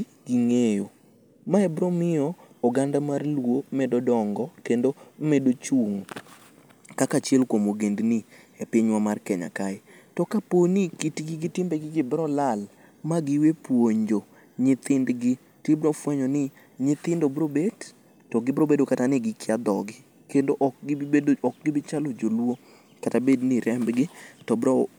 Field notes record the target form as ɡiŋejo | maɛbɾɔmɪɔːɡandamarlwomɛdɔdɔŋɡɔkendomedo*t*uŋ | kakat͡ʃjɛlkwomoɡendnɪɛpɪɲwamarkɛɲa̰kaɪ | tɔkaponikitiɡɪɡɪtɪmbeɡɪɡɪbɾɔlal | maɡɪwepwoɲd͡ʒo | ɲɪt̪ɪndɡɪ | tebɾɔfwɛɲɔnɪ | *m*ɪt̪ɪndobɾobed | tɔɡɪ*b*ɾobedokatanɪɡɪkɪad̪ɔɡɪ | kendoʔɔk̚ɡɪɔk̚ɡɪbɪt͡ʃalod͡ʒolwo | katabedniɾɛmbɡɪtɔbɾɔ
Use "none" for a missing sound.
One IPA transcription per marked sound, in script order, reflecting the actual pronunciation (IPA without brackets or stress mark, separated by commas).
t͡ʃ, ɲ, b